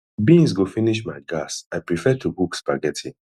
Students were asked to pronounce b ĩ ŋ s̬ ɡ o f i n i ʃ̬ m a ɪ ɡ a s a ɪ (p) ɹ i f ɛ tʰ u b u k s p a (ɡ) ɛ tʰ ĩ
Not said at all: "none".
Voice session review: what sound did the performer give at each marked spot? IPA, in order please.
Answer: p, ɡ

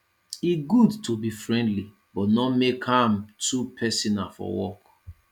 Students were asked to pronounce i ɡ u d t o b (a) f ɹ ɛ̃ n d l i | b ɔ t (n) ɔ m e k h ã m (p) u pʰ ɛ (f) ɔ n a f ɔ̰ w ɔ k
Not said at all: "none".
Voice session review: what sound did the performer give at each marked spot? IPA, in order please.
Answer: i, n, t, s

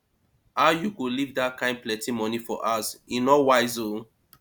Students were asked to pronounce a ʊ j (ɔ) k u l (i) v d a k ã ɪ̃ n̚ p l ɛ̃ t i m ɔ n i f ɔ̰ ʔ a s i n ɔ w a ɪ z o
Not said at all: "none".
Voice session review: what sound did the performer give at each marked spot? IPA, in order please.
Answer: u, i

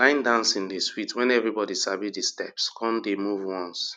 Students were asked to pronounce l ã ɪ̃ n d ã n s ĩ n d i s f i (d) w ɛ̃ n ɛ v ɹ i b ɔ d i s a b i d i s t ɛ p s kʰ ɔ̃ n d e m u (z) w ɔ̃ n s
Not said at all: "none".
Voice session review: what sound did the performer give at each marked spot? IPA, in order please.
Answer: t, v

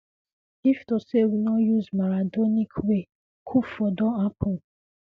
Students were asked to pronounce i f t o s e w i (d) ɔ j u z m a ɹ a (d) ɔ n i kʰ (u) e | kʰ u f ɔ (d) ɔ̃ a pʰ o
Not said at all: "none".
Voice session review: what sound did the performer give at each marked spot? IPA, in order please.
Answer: n, d, w, d

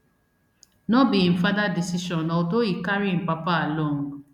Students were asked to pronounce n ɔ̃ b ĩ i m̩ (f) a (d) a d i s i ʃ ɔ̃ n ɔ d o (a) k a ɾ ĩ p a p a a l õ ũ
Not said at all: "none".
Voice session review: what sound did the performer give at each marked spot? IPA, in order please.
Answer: f, d, i

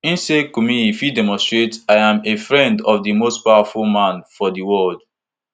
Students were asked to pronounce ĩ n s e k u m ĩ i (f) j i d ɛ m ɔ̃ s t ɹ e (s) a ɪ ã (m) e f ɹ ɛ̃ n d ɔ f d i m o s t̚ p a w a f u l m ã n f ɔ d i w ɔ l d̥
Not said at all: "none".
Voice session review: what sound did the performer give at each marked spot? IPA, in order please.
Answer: f, t, m

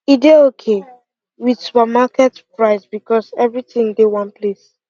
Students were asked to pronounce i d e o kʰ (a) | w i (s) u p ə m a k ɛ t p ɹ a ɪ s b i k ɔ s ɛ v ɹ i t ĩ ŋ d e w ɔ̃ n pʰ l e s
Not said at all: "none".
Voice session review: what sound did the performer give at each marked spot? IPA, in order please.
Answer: e, s

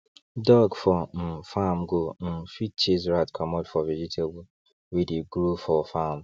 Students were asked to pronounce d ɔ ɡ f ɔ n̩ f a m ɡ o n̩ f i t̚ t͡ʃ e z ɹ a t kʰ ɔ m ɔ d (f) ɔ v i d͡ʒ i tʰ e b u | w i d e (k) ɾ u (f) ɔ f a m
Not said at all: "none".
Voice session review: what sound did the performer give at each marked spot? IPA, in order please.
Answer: f, ɡ, f

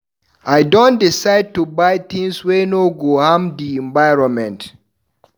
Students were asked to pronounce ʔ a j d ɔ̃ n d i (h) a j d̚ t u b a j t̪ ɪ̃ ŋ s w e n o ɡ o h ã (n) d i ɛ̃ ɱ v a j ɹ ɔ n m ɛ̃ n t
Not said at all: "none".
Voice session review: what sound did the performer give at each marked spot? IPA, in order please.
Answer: s, m

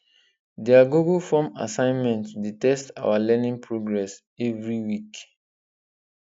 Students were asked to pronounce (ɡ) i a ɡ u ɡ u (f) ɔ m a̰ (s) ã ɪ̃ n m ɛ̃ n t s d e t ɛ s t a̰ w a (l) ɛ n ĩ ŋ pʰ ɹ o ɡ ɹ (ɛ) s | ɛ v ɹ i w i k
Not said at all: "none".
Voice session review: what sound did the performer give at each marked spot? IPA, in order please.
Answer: d, f, s, l, ɛ

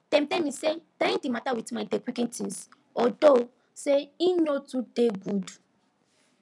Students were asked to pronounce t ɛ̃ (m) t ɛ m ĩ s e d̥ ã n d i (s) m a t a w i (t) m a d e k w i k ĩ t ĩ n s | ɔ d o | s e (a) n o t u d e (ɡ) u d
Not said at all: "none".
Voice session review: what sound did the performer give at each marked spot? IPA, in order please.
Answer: m, none, t, i, ɡ

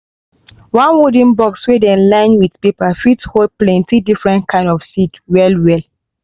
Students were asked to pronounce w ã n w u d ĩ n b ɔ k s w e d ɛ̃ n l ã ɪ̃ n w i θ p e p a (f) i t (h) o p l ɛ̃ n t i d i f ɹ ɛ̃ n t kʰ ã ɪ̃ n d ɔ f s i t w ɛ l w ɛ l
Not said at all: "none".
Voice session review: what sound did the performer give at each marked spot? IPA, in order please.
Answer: f, h

